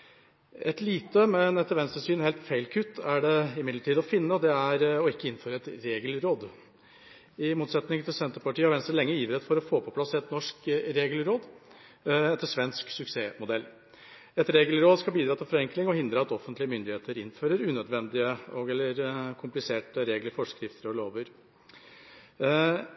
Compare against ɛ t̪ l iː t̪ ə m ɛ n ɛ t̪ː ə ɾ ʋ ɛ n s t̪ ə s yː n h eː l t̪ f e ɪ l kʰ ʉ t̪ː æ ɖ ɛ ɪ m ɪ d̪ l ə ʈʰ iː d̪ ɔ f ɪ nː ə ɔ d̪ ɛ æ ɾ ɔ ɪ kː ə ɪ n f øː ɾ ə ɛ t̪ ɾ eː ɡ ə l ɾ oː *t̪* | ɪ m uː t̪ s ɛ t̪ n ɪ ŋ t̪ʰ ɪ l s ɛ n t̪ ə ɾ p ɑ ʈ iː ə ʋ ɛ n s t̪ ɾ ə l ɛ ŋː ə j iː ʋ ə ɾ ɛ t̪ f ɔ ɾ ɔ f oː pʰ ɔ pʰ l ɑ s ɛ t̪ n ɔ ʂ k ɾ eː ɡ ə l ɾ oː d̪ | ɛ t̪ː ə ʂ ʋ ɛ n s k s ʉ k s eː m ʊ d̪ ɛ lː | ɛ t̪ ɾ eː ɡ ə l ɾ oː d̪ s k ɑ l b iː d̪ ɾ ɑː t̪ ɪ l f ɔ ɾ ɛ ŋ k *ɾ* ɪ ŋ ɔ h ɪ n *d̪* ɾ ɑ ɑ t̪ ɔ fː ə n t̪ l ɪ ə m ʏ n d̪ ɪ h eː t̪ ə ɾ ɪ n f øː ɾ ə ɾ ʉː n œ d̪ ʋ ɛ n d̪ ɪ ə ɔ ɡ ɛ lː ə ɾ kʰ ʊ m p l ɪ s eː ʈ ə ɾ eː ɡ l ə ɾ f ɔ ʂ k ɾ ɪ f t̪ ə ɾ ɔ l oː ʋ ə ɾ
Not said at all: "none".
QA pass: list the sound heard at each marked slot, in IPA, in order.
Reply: d̪, l, d̪

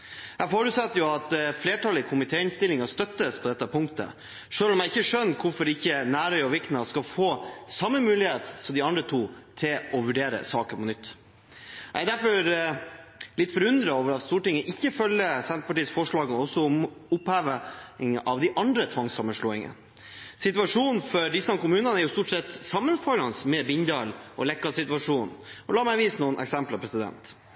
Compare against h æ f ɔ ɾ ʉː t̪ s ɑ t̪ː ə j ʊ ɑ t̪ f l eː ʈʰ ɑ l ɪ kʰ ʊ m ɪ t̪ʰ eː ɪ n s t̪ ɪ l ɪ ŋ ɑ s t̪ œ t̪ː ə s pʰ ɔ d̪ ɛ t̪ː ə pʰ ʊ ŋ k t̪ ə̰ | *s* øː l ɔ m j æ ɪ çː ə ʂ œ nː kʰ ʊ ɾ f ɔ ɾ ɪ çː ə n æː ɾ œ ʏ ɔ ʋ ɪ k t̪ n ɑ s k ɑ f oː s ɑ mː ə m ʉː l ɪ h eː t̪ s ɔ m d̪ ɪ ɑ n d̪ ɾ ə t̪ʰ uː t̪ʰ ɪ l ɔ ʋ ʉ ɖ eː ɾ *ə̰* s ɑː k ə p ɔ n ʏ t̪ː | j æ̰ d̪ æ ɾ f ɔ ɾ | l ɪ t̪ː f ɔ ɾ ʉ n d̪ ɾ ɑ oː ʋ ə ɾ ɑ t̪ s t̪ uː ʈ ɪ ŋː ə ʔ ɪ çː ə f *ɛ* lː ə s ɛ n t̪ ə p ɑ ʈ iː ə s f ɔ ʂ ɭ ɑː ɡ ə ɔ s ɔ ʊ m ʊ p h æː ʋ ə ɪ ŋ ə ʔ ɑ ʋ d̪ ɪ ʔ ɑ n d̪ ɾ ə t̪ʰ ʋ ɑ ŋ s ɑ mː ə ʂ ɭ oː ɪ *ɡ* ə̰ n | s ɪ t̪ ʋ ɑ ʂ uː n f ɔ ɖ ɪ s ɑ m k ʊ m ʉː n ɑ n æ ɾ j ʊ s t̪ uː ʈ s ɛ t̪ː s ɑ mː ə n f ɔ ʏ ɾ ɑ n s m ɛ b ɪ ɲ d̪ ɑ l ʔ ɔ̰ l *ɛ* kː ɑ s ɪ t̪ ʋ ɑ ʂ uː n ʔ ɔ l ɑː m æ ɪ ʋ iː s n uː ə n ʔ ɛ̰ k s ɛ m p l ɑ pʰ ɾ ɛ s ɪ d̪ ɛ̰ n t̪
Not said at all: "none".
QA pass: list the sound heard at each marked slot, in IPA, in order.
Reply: ʂ, ə̰, œ, ŋ, ɛ

